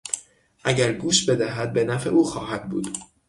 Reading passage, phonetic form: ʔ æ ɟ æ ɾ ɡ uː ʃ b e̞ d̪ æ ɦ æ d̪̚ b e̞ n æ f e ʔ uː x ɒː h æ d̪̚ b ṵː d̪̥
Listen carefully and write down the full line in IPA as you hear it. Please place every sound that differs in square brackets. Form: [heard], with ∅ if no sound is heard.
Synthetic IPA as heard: ʔ æ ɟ æ ɾ ɡ uː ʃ b e̞ d̪ æ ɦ æ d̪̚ b e̞ n æ f e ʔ uː x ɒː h æ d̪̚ b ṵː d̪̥